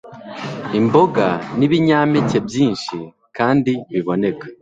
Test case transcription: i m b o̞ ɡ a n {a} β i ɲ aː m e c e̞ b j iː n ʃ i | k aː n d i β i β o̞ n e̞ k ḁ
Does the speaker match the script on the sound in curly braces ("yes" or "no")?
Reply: no